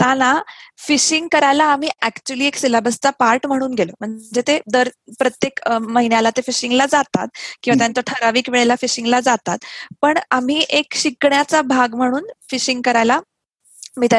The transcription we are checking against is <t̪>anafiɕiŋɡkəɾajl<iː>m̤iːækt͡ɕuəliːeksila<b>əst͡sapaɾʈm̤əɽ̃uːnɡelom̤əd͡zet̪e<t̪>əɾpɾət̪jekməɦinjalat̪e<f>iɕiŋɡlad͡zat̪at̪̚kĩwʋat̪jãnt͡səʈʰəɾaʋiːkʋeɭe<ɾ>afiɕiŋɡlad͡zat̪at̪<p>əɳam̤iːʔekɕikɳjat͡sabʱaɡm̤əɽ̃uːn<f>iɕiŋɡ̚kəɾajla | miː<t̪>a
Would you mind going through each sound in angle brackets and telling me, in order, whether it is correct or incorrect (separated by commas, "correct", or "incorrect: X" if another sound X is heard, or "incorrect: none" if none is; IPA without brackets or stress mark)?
correct, incorrect: aː, correct, incorrect: d̪, correct, incorrect: l, correct, correct, correct